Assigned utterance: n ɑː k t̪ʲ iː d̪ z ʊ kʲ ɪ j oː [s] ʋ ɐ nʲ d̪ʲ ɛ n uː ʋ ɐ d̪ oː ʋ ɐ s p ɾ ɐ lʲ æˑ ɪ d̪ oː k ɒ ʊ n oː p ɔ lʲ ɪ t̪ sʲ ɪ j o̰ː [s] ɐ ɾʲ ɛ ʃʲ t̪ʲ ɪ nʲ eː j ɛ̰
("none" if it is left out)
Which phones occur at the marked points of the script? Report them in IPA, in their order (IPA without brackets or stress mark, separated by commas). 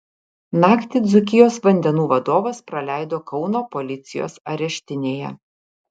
s, s